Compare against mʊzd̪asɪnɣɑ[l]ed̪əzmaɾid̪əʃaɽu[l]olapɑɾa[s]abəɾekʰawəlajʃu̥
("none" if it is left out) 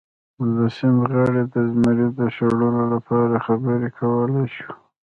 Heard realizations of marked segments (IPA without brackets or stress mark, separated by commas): ɽ, l, x